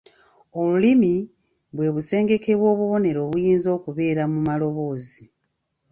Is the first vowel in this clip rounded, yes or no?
yes